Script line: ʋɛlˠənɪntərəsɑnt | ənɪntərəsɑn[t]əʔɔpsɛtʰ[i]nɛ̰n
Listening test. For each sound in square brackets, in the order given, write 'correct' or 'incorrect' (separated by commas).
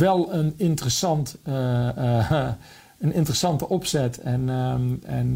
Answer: correct, incorrect